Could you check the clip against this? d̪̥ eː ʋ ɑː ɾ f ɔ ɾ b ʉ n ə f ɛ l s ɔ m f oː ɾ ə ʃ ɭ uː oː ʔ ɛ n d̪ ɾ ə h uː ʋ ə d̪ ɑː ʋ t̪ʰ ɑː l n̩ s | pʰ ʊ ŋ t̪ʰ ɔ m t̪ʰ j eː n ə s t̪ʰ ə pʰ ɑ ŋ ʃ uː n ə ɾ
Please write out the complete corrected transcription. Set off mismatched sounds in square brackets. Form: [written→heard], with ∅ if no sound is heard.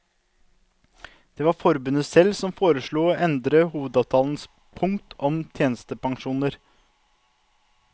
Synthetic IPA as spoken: d̪̥ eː ʋ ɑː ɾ f ɔ ɾ b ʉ n ə [f→s] ɛ l s ɔ m f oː ɾ ə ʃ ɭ uː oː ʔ ɛ n d̪ ɾ ə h uː ʋ ə d̪ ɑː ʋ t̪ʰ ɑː l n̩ s | pʰ ʊ ŋ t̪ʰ ɔ m t̪ʰ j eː n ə s [t̪ʰ→t̪] ə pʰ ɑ ŋ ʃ uː n ə ɾ